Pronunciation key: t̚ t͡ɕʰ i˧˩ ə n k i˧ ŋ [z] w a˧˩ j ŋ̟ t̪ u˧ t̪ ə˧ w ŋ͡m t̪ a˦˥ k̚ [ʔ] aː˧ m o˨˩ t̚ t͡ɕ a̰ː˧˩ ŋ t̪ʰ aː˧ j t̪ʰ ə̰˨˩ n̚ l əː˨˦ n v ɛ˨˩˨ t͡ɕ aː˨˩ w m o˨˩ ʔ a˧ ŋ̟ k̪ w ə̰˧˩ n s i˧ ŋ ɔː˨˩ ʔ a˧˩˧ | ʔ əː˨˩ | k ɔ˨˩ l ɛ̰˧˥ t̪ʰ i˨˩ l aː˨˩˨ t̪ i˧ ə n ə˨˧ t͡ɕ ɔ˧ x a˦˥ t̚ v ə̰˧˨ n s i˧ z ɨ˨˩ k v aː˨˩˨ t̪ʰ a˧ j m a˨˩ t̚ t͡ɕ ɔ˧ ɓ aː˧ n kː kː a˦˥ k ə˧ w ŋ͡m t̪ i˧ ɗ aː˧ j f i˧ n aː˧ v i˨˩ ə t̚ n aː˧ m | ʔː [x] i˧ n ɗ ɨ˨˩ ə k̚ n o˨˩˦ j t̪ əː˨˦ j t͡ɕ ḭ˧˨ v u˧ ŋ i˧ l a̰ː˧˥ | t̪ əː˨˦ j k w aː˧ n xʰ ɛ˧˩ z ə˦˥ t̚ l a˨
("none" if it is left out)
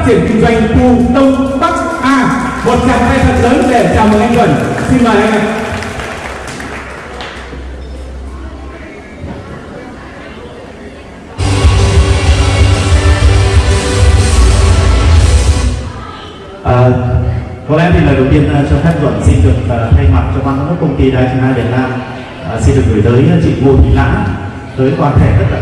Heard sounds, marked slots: z, ʔ, s

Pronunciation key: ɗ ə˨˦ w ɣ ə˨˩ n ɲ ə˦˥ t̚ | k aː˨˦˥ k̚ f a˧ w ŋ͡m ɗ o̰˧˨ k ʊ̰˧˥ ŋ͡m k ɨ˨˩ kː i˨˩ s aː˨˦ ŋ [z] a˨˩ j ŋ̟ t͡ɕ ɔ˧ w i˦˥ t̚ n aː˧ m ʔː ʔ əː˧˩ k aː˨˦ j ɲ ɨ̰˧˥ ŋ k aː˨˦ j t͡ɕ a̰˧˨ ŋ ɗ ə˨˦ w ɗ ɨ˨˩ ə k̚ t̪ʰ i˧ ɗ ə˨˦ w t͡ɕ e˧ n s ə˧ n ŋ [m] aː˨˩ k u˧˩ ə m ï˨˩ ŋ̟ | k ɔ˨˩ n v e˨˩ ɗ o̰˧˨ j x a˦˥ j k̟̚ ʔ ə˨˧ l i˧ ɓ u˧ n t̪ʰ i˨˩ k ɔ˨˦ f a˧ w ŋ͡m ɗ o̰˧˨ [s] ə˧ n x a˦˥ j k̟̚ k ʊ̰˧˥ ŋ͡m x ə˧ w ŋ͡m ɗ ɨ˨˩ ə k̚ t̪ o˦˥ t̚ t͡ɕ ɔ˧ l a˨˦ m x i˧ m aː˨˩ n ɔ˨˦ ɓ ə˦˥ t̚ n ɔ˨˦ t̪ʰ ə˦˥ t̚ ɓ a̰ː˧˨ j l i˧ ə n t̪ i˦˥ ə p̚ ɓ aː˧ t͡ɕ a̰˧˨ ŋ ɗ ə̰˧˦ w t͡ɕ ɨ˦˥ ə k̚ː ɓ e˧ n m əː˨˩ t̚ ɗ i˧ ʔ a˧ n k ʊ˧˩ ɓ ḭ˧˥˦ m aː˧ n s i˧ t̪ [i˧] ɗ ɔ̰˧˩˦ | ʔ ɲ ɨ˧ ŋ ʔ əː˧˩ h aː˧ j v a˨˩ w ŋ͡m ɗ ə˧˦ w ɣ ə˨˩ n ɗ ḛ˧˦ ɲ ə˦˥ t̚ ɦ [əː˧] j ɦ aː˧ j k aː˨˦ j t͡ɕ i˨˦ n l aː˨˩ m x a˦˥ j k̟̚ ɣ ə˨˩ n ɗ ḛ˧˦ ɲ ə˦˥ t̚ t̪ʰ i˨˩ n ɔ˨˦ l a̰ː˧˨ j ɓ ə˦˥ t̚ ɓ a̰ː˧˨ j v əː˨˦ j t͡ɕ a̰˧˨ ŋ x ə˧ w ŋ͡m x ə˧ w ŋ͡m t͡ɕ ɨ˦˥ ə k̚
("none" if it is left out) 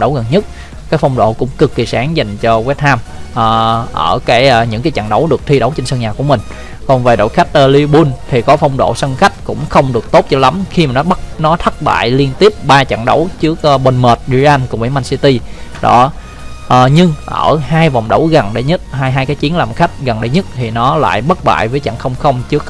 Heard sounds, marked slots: z, ɲ, s, i˧, aː˧

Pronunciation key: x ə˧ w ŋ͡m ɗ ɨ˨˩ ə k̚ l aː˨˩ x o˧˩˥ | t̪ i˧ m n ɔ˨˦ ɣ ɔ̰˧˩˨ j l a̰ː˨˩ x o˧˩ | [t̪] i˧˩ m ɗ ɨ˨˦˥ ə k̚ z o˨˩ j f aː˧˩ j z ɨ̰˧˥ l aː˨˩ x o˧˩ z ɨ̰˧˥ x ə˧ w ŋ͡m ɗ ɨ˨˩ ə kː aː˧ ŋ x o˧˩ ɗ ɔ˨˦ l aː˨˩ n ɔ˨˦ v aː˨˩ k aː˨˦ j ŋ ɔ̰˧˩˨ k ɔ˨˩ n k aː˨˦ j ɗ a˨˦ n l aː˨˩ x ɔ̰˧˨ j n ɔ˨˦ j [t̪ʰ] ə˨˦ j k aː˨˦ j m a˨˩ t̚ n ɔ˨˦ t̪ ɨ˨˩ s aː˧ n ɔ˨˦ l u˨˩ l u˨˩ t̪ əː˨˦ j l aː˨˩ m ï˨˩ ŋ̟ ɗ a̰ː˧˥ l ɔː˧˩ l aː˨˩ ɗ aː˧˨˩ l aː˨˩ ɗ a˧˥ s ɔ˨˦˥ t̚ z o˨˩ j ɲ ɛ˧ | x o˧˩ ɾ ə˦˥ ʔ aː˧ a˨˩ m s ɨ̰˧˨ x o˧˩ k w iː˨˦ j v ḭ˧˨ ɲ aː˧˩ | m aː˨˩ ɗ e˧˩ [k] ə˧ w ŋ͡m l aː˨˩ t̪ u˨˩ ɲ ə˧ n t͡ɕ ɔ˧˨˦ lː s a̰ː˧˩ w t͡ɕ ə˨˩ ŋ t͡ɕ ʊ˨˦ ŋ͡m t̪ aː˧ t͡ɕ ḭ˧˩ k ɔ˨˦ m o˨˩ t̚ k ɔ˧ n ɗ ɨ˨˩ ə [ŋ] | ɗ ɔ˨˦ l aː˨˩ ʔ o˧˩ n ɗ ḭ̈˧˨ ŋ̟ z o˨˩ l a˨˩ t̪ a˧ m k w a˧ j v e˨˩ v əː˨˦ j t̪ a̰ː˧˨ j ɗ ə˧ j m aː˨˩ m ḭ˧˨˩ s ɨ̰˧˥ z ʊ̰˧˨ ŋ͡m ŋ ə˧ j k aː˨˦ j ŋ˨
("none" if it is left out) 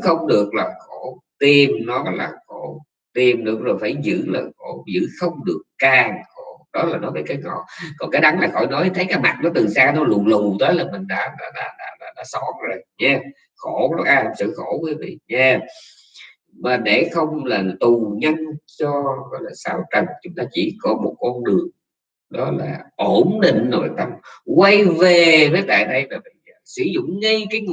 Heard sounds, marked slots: t̪, t̪ʰ, x, ŋ

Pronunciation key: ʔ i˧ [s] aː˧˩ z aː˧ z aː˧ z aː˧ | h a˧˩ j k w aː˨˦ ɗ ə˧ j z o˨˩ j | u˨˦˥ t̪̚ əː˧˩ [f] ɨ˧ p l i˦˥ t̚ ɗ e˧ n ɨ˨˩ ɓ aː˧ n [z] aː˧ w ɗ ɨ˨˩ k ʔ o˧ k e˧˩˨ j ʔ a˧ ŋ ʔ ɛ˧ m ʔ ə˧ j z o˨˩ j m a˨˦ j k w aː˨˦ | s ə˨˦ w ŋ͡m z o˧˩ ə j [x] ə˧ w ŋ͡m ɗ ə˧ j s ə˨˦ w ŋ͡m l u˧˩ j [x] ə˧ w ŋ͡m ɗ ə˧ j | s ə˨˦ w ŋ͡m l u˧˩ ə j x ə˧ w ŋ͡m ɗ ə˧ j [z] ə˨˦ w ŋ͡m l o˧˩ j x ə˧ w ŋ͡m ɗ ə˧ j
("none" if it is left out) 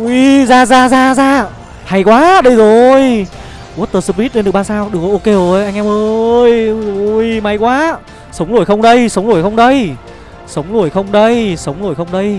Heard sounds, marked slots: z, s, s, x, x, s

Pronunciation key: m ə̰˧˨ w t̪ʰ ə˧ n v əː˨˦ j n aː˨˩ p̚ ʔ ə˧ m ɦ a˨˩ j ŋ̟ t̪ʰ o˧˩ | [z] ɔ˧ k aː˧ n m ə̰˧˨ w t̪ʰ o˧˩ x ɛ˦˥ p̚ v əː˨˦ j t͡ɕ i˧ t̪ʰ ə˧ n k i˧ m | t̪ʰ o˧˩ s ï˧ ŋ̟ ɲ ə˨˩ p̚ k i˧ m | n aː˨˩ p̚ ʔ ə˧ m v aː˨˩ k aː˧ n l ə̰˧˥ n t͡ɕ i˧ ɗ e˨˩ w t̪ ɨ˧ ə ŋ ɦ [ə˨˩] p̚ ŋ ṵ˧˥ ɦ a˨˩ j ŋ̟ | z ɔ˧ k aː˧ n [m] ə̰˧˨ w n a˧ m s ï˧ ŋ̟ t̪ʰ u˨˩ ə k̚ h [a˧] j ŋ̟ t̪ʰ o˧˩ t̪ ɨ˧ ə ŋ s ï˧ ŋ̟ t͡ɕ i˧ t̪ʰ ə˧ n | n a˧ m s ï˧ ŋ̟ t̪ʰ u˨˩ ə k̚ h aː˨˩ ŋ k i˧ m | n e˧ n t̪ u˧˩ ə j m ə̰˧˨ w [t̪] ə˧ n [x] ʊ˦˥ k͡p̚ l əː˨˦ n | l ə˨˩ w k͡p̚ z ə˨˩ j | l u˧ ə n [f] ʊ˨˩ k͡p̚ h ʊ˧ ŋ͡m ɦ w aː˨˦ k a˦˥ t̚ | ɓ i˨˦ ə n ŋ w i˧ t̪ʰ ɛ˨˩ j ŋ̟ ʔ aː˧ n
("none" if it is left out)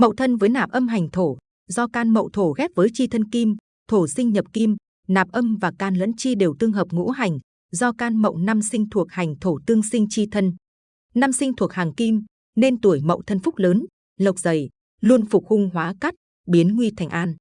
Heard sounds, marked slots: z, əː˨˩, m, a˨˩, t̪ʰ, f, f

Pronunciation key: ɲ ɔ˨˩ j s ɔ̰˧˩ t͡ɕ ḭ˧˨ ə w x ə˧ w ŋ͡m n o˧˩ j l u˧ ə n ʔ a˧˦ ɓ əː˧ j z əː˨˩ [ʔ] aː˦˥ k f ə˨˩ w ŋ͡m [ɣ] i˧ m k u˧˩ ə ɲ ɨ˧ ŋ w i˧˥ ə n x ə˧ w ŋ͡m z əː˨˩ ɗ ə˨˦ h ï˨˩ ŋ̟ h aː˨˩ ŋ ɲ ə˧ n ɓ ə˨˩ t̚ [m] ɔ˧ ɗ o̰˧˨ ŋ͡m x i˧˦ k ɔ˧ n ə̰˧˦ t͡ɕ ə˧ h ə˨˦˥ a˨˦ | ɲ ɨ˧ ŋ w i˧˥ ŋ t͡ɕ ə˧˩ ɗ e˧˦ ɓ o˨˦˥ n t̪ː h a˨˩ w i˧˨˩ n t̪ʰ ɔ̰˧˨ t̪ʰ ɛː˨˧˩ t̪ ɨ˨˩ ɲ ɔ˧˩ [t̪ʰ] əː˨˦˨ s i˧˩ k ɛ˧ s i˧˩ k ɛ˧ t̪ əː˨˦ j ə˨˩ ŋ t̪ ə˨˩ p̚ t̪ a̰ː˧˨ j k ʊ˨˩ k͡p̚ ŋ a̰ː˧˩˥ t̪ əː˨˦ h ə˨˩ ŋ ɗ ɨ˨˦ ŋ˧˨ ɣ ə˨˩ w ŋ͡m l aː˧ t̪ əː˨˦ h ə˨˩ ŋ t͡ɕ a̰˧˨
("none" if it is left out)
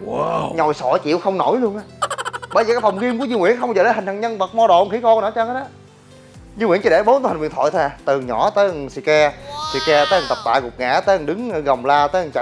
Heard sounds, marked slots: k, ɣ, m, t̪

